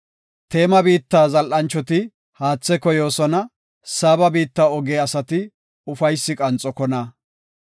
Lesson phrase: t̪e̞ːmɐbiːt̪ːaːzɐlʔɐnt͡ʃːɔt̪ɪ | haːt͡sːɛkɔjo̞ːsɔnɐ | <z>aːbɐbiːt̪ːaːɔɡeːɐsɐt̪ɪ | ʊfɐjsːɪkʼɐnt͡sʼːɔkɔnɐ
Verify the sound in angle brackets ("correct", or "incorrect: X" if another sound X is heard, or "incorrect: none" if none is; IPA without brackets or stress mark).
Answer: incorrect: s